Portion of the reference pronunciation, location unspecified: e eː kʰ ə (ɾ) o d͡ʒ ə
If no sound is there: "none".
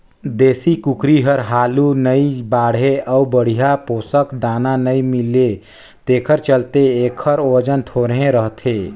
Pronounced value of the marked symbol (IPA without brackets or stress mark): ɾ